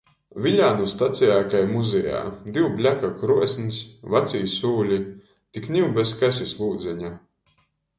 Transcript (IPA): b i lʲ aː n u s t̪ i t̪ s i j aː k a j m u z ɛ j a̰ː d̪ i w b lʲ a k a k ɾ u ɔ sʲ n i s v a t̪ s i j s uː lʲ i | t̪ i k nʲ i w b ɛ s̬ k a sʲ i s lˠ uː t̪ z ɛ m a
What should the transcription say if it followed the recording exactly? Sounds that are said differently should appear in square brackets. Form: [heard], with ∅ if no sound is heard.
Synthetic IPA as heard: [v] i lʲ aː n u s t̪ [a] t̪ s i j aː k a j m u z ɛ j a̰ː d̪ i w b lʲ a k a k ɾ u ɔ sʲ n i s v a t̪ s i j s uː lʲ i | t̪ i k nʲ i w b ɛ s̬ k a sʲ i s lˠ uː [d̪] z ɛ [ɲ] a